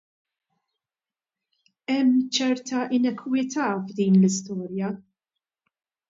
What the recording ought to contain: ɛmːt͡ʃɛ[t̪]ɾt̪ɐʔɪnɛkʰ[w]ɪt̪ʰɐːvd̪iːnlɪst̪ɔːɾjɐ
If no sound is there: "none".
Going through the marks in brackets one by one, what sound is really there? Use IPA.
none, w

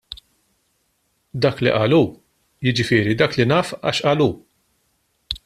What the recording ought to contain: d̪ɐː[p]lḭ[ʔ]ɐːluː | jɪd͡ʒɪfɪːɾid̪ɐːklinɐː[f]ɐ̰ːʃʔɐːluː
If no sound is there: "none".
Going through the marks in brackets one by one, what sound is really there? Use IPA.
k, ʔ, f

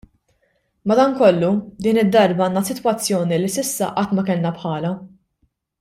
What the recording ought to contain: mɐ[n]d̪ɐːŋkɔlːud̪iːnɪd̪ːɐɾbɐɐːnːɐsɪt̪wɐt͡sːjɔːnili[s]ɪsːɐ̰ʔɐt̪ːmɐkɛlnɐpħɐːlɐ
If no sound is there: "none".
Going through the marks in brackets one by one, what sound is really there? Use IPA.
none, s

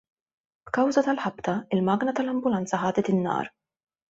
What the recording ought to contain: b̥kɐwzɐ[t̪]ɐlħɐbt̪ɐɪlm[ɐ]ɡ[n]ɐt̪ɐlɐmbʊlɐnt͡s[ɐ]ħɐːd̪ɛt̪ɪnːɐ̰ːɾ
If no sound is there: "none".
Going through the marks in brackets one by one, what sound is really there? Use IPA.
t̪, ɐː, n, ɐ

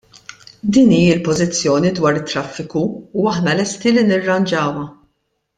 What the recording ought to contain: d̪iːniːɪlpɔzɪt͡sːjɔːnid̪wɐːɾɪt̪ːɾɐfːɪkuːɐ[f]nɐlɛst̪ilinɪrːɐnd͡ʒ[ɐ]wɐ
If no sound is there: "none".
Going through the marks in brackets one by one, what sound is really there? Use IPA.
ħ, ɐː

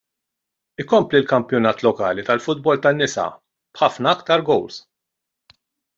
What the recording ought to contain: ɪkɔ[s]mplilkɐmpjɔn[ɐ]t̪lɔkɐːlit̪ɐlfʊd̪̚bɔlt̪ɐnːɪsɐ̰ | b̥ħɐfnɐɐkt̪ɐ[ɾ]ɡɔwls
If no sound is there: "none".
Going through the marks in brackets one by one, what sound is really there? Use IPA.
none, ɐː, ɾ

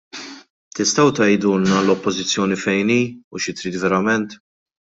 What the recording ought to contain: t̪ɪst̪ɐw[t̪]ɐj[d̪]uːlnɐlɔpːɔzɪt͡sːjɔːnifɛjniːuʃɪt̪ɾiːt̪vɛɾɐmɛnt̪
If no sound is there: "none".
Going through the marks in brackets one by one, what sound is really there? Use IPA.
t̪, d̪

